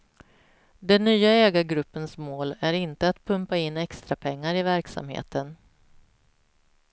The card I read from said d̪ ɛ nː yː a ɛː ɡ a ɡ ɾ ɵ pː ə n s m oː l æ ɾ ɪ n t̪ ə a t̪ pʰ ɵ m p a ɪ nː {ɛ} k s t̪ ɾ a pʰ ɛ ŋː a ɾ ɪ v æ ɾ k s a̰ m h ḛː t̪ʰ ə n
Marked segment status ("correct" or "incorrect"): correct